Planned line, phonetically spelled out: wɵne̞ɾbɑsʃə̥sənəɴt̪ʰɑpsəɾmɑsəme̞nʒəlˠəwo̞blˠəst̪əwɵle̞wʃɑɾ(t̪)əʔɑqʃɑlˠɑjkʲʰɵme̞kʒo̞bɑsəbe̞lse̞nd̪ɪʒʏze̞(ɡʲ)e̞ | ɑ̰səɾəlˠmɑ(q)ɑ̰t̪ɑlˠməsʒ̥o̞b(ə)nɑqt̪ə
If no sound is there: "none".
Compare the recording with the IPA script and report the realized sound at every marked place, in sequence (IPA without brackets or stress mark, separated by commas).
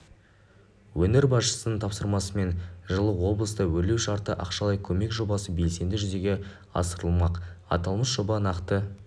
t̪, ɡʲ, q, ɑ